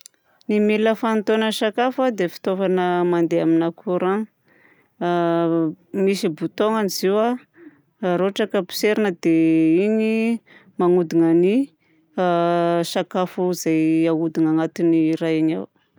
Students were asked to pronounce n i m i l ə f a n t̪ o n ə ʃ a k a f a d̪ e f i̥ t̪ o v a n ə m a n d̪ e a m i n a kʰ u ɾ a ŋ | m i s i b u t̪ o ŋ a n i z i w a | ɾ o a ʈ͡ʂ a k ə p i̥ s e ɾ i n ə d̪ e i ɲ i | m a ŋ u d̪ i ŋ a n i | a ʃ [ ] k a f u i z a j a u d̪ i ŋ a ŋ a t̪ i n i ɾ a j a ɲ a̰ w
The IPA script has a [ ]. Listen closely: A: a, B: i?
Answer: A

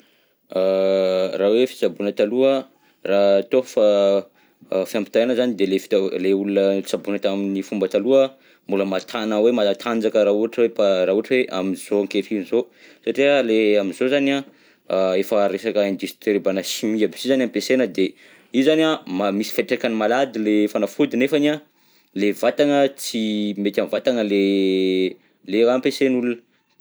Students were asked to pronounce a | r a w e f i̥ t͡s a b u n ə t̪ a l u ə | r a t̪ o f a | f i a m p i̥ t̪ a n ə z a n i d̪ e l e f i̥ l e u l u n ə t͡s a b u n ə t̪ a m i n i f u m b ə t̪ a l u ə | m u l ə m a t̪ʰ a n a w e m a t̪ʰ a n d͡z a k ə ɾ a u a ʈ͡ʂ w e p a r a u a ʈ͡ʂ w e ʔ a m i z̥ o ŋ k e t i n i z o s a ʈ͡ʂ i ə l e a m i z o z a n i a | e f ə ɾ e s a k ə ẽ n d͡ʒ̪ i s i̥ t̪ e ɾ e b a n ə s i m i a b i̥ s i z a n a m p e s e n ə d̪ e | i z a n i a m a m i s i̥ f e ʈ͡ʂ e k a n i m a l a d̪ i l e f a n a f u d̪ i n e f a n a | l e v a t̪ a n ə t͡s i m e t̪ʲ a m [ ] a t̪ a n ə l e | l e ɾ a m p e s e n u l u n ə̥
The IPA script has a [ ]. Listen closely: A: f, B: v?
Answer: B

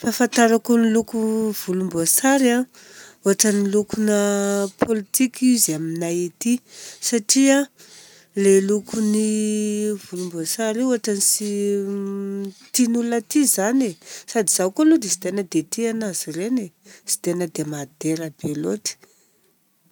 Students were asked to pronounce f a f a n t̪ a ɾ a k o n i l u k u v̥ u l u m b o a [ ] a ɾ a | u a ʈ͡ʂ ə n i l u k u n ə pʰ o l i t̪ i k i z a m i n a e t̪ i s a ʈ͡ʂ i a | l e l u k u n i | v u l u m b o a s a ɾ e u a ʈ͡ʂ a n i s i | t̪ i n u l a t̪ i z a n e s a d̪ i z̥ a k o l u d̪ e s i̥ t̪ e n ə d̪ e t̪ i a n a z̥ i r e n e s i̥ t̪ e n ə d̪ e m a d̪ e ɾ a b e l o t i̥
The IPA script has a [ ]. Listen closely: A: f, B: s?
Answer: B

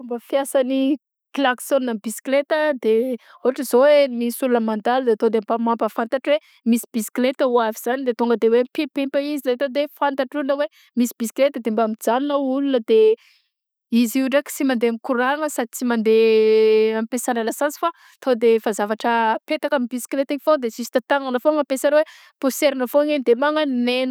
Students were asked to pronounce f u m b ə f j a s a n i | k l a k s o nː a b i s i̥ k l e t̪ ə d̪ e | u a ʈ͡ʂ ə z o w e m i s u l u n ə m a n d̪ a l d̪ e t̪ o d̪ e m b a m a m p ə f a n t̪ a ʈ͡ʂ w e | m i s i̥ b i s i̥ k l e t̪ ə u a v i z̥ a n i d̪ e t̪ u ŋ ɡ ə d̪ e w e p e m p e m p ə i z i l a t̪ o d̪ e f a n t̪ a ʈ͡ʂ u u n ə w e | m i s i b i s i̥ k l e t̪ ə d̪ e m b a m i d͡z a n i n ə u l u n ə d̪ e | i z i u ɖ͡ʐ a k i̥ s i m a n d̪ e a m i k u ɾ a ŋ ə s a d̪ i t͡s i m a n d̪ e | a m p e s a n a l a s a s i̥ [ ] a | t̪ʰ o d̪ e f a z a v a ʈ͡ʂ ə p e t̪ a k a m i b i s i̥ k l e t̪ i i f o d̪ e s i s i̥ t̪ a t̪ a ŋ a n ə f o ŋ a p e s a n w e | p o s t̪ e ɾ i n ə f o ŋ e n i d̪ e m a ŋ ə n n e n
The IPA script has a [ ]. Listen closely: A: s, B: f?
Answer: B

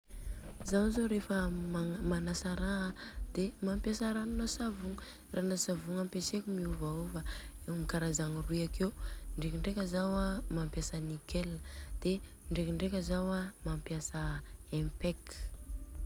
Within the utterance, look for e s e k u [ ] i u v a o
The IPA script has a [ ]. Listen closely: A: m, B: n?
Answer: A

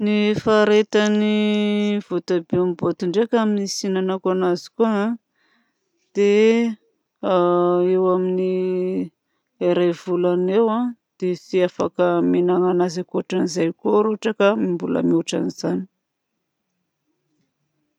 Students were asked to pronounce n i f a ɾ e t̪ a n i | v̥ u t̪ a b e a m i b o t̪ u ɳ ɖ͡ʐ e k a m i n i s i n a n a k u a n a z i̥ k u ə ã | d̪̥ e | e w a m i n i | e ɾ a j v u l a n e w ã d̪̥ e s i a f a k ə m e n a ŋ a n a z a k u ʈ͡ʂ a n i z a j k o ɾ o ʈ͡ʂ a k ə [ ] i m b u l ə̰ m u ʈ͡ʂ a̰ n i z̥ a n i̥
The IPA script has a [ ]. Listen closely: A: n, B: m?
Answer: B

